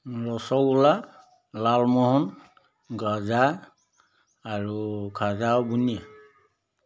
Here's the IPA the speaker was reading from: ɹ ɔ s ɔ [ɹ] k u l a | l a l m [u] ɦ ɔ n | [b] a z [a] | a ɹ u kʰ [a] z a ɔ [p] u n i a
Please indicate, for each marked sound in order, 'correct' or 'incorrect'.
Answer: incorrect, incorrect, incorrect, correct, correct, incorrect

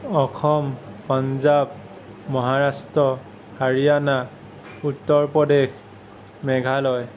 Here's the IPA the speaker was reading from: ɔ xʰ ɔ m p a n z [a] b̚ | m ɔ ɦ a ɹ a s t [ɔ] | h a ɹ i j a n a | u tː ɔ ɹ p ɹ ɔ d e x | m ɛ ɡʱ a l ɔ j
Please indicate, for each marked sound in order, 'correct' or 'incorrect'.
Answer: correct, correct

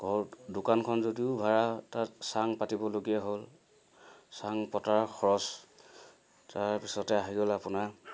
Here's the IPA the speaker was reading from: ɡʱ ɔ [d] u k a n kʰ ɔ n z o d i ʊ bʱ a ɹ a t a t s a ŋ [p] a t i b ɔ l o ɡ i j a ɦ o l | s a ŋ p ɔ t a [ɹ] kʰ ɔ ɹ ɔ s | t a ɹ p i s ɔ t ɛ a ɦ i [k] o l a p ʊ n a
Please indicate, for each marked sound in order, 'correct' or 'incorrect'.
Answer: correct, correct, correct, incorrect

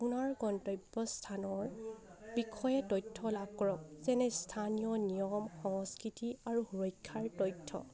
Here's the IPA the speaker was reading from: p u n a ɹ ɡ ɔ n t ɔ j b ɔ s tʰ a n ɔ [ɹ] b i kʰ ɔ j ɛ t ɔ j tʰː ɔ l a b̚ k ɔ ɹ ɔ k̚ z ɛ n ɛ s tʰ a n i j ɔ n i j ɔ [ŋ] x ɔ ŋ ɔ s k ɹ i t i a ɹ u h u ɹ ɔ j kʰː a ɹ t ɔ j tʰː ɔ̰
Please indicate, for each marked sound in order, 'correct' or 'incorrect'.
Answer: correct, incorrect

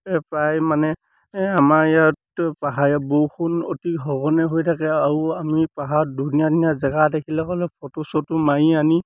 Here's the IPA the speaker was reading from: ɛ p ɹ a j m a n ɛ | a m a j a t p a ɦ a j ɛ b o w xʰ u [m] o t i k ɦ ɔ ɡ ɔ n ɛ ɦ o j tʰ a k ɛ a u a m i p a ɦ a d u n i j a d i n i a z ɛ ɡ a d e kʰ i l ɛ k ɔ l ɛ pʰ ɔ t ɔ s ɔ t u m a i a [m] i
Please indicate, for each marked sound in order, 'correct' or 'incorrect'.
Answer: incorrect, incorrect

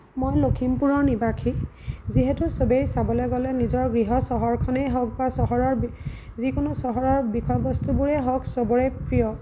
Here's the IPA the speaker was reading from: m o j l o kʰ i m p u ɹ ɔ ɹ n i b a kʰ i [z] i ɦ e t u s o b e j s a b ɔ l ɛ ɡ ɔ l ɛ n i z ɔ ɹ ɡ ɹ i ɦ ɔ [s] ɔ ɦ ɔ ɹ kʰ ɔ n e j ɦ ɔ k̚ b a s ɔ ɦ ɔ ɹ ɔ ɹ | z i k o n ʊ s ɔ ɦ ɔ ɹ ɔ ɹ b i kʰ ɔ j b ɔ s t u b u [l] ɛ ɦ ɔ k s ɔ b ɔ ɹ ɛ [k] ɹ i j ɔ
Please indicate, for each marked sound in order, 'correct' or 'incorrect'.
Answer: correct, correct, incorrect, incorrect

